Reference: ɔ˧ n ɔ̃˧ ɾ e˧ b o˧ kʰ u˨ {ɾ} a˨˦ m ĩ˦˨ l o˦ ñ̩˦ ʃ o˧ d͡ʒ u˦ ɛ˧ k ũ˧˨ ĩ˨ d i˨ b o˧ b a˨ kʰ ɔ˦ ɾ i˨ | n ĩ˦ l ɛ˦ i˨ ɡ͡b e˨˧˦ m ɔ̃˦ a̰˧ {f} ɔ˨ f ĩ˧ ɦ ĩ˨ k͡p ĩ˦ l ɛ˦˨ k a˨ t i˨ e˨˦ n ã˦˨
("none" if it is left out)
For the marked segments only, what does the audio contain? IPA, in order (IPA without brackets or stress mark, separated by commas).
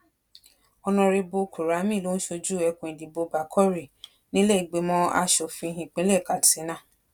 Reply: ɾ, ʃ